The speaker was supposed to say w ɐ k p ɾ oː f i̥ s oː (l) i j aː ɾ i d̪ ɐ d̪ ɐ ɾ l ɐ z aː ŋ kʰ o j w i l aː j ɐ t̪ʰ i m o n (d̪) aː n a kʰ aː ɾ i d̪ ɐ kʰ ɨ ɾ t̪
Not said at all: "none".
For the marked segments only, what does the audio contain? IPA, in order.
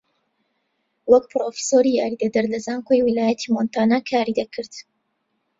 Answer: ɾ, t̪

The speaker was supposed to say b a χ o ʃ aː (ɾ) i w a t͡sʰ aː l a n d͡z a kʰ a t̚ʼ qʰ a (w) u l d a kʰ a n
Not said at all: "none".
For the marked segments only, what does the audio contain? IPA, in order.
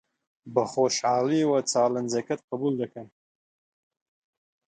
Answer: l, b

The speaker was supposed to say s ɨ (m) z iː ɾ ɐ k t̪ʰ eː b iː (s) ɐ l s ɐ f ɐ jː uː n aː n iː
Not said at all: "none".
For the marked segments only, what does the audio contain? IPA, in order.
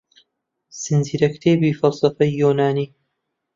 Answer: n, f

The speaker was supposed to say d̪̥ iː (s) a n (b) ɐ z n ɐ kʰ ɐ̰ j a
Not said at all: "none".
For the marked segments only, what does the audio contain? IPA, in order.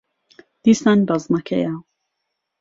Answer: s, b

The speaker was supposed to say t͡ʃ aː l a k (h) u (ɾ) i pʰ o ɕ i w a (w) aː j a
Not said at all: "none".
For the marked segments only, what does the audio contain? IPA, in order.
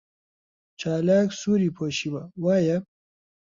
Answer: s, ɾ, w

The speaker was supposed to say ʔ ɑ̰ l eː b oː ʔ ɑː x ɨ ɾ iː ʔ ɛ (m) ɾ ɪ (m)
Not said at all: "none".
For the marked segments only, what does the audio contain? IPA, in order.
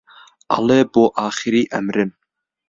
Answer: m, n

